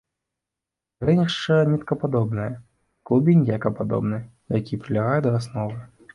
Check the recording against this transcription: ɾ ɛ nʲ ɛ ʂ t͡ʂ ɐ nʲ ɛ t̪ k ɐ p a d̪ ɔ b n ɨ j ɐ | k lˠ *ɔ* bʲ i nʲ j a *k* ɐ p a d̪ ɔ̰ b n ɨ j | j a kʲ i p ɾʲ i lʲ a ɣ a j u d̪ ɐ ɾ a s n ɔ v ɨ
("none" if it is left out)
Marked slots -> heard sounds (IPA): u, k

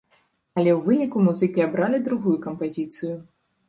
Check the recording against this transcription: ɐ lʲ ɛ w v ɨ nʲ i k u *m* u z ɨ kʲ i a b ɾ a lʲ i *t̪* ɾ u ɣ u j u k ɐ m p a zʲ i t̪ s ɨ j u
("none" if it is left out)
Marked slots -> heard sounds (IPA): m, d̪

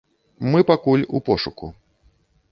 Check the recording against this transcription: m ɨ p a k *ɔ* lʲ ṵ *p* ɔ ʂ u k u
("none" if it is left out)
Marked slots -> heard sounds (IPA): u, p

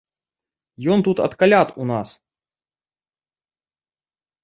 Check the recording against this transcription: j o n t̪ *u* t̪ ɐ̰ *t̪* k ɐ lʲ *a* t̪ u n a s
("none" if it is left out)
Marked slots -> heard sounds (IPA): u, t̪, a

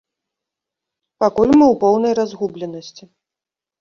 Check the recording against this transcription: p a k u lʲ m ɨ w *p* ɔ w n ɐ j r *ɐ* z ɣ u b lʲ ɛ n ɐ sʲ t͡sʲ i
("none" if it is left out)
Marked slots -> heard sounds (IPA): p, a

